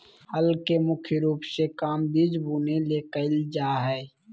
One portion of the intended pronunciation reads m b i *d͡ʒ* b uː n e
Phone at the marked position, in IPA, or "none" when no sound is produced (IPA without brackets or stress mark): d͡ʒ